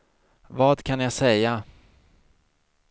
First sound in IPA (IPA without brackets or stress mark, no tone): v